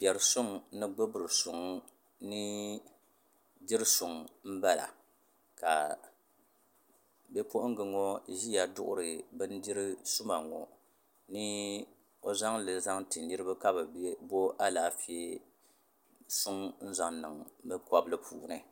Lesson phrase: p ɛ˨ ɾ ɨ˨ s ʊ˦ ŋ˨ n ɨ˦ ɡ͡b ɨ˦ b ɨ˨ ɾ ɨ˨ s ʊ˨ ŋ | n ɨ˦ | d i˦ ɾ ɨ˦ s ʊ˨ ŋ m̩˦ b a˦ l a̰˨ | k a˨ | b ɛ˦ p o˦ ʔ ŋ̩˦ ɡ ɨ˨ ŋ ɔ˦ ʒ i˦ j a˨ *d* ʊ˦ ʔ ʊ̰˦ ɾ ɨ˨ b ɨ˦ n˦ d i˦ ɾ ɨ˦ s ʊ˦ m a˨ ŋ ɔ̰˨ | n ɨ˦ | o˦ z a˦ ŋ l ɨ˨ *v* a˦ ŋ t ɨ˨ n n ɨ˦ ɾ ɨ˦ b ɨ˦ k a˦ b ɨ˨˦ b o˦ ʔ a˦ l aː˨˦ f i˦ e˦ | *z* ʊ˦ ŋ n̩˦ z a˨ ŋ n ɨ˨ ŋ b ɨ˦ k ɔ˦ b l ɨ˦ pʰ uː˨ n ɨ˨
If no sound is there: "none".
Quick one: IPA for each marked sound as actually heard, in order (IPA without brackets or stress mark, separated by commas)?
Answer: d, z, s